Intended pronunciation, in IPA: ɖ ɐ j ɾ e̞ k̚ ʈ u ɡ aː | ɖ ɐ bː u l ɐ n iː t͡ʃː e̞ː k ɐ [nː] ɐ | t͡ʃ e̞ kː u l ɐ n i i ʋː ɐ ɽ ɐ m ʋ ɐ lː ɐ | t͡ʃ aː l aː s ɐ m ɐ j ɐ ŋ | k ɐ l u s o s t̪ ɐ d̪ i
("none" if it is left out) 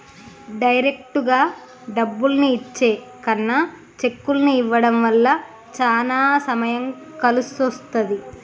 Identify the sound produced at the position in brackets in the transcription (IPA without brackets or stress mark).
nː